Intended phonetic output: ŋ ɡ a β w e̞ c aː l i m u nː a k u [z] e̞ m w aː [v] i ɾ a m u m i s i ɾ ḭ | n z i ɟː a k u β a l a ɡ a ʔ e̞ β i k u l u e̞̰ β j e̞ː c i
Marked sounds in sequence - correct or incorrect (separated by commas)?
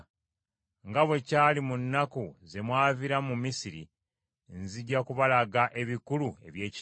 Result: correct, correct